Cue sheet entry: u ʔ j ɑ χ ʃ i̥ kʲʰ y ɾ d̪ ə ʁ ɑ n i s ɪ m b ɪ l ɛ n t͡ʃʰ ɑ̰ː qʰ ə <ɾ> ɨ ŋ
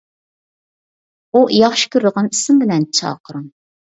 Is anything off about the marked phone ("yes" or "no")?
no